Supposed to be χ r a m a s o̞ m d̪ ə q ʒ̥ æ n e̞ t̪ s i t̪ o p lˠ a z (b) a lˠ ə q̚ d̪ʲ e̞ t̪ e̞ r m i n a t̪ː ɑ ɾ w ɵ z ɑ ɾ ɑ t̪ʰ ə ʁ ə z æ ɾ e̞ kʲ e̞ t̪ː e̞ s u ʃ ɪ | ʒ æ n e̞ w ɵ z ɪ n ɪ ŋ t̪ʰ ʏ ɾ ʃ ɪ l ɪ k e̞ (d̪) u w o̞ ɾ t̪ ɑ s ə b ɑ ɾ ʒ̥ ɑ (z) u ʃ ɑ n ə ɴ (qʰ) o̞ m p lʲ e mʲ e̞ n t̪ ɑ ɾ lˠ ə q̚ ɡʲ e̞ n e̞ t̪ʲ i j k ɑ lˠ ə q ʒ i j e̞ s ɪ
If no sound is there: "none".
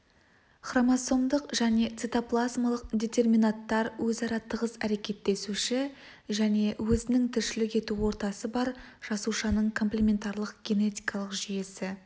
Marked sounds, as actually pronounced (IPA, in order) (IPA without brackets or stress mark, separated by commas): m, t̪, s, kʰ